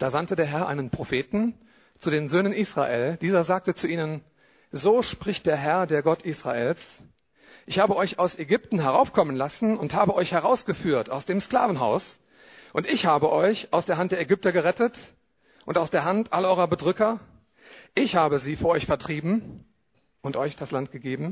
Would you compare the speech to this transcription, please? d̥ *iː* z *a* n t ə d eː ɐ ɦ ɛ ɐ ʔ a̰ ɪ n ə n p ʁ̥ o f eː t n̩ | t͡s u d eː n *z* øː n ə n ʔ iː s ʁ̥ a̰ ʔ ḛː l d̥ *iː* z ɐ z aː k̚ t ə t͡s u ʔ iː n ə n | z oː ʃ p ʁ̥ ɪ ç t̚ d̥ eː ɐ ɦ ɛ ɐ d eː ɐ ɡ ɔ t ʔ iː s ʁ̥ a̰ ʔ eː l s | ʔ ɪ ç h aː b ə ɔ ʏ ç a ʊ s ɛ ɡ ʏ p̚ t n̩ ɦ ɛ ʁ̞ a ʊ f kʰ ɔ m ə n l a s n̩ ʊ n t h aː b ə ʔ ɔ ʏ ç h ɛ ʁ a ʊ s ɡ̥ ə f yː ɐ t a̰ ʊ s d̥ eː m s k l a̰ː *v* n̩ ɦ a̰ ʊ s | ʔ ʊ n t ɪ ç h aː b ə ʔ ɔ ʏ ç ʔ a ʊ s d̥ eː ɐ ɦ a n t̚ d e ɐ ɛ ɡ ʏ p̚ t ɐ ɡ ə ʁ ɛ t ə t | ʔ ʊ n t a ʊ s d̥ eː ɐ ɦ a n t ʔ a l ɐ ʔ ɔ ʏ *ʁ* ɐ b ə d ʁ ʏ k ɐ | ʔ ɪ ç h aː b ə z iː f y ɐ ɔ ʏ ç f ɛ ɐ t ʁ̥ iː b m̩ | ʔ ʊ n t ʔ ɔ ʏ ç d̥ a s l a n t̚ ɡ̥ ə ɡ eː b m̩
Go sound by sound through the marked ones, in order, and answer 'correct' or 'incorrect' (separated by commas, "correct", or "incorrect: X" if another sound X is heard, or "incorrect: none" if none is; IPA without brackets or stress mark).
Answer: incorrect: aː, correct, correct, correct, correct, correct